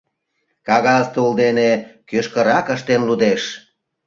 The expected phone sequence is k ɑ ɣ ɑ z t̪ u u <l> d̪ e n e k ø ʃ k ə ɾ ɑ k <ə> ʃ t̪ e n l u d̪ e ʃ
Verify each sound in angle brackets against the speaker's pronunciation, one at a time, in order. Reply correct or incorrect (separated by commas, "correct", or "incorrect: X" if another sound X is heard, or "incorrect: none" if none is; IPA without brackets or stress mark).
correct, correct